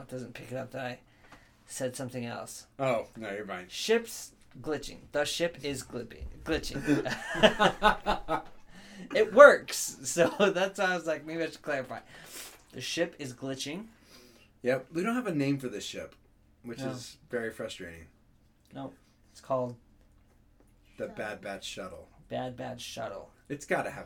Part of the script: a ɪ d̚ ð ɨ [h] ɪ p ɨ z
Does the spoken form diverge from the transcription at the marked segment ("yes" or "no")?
yes